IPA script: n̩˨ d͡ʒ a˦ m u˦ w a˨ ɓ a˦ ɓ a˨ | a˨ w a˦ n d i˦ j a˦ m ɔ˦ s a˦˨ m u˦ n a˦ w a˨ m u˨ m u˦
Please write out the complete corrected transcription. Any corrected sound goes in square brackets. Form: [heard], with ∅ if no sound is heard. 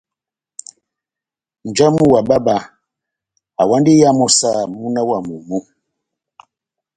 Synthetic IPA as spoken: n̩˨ d͡ʒ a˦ m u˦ w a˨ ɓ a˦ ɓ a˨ | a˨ w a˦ n d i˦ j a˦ m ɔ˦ s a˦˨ m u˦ n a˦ w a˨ m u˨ m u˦